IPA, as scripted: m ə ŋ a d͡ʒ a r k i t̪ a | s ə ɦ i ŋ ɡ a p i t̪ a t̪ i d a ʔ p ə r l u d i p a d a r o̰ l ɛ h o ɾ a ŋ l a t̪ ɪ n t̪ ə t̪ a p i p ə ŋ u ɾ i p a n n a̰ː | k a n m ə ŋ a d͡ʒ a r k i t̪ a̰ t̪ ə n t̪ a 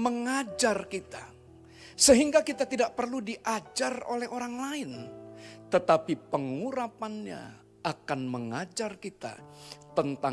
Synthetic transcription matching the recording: m ə ŋ a d͡ʒ a r k i t̪ a | s ə ɦ i ŋ ɡ a k i t̪ a t̪ i d a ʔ p ə r l u d i ʔ a d͡ʒ a r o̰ l ɛ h o ɾ a ŋ l a ɪ n t̪ ə t̪ a p i p ə ŋ u ɾ a p a n ɲ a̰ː | k a n m ə ŋ a d͡ʒ a r k i t̪ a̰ t̪ ə n t̪ a